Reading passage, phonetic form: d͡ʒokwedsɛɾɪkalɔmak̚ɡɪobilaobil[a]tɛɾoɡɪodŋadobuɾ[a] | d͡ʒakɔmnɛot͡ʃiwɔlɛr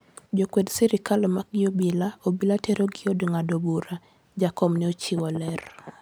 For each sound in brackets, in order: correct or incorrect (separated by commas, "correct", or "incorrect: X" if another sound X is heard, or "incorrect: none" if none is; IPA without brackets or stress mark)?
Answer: correct, correct